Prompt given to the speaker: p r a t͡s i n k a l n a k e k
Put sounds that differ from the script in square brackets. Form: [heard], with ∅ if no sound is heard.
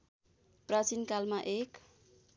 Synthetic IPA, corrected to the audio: p r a t͡s i n k a l [m] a [ʔ] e k